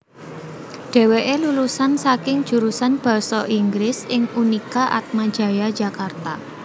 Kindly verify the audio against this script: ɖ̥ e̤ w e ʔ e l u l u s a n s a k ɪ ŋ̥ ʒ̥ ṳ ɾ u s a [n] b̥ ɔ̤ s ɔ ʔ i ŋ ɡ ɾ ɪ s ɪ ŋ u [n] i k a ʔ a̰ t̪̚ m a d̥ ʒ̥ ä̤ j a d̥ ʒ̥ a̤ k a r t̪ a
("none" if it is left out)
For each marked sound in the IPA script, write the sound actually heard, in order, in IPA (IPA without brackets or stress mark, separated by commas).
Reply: n, n